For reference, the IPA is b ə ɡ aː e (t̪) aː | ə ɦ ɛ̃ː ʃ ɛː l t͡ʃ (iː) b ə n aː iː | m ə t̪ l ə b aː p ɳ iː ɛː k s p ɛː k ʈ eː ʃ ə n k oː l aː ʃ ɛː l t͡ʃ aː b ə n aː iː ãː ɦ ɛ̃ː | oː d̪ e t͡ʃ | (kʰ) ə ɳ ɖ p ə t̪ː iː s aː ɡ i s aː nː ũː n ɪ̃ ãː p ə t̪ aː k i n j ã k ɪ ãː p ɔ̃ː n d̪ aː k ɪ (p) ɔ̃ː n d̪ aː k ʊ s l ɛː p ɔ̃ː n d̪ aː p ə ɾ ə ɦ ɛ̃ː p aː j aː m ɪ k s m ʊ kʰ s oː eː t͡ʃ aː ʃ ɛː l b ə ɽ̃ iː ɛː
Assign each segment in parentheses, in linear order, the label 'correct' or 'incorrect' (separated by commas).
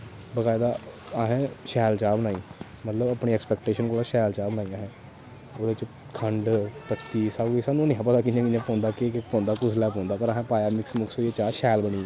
incorrect, incorrect, correct, correct